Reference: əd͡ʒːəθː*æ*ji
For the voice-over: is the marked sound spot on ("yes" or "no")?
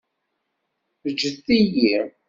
no